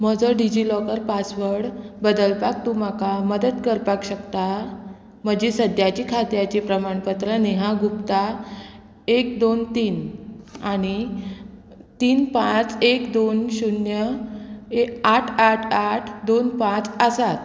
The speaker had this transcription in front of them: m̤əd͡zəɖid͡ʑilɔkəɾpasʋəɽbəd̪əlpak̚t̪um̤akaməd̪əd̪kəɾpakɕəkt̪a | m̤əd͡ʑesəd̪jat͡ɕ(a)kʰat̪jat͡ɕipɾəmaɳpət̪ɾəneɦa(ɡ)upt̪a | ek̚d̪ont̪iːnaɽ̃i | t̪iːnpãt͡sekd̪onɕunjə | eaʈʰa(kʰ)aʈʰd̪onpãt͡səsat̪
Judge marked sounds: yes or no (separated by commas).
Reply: no, yes, no